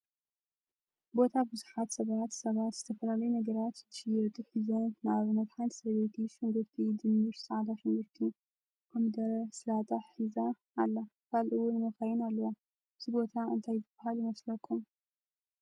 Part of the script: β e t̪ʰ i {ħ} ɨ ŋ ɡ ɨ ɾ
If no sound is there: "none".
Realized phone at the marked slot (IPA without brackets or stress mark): ʃ